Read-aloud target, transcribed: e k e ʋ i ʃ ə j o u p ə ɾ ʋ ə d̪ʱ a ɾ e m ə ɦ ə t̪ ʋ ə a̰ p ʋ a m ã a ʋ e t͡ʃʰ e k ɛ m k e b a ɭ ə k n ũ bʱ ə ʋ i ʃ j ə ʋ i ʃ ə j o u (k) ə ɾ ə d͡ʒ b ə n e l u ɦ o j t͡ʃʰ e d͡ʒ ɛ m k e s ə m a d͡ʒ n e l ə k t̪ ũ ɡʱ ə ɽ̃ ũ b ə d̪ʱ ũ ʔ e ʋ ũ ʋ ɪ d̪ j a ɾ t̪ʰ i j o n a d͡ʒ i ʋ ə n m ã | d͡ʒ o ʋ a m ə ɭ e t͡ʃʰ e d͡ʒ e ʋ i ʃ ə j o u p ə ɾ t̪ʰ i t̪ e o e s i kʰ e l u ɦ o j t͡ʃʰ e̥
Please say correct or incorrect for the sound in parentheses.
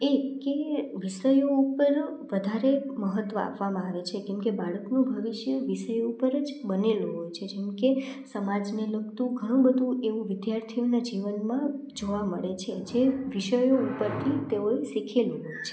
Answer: incorrect